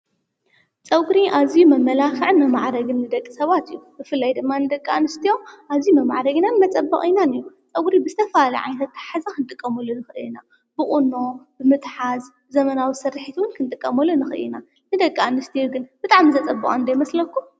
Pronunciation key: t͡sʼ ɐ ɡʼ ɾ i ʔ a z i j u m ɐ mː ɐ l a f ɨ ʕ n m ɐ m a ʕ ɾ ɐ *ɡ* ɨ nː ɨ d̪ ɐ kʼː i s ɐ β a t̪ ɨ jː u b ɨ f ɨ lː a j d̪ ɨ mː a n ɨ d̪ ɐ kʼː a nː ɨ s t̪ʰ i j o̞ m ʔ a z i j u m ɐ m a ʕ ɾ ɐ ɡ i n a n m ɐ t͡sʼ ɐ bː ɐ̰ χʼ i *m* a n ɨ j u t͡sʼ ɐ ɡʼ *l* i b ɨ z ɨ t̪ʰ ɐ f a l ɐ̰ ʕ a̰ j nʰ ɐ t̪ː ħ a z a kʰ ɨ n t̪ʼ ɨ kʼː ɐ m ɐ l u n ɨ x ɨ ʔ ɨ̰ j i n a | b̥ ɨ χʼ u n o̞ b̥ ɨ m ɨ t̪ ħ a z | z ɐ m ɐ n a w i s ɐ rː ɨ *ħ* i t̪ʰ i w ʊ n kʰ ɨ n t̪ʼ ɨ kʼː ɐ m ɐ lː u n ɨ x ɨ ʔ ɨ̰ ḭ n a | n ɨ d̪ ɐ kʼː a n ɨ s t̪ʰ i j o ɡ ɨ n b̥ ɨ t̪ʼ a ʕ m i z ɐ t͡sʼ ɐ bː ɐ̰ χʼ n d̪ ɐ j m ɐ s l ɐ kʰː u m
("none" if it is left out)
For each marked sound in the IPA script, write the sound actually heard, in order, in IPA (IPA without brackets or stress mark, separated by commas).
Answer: ɡ, n, ɾ, ħ